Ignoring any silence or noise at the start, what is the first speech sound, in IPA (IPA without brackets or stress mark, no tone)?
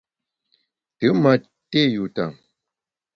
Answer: t